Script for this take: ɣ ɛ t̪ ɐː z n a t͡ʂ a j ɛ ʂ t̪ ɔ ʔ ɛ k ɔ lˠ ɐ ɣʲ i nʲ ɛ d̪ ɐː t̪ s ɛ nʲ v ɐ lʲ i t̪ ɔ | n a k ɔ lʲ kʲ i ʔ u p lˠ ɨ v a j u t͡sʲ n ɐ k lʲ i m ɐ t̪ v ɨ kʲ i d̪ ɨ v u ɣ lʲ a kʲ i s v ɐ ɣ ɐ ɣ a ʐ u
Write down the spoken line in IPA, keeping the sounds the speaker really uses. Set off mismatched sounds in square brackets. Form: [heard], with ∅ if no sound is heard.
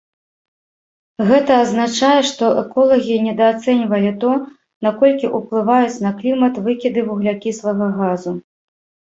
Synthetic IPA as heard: ɣ ɛ t̪ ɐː z n a t͡ʂ a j ɛ ʂ t̪ ɔ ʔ ɛ k ɔ lˠ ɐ ɣʲ i nʲ ɛ d̪ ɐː t̪ s ɛ nʲ v ɐ lʲ i t̪ ɔ | n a k ɔ lʲ kʲ i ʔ u p lˠ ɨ v a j u t͡sʲ n ɐ k lʲ i m ɐ t̪ v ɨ kʲ i d̪ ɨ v u ɣ lʲ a kʲ i s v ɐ ɣ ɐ ɣ a [z] u